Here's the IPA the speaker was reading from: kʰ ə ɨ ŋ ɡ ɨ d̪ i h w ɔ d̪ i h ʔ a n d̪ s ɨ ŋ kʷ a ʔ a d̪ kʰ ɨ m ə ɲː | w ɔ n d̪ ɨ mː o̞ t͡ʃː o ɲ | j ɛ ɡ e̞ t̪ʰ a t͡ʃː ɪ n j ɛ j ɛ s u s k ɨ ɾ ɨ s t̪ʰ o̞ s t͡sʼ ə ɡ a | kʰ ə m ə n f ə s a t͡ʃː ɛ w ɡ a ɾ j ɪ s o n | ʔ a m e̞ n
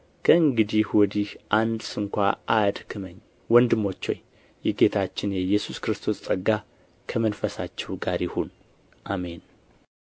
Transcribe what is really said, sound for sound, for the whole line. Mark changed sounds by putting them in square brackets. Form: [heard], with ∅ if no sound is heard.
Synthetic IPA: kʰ ə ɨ ŋ ɡ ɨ d̪ i h w ɔ d̪ i h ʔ a n d̪ s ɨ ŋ kʷ a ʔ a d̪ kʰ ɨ m ə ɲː | w ɔ n d̪ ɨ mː o̞ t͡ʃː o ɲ | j ɛ ɡ e̞ t̪ʰ a t͡ʃː ɪ n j ɛ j ɛ s u s k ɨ ɾ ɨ s t̪ʰ o̞ s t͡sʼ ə ɡ a | kʰ ə m ə n f ə s a t͡ʃː ɛ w ɡ a ɾ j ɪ [h] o n | ʔ a m e̞ n